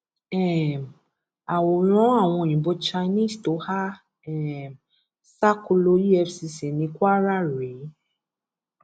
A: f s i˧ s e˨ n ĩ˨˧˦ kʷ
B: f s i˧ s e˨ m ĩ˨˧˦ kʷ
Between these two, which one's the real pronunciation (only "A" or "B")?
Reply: A